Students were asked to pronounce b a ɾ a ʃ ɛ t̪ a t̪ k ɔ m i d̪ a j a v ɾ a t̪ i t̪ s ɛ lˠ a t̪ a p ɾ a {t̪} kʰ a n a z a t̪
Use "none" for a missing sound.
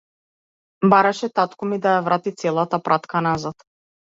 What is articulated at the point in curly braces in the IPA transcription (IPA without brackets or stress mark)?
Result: t̪